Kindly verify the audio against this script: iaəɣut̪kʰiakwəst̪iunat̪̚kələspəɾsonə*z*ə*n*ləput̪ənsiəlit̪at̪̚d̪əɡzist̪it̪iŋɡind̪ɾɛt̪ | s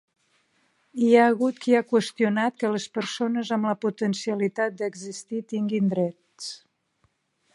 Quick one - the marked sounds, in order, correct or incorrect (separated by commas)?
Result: correct, incorrect